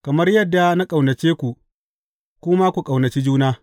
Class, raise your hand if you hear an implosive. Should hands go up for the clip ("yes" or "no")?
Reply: no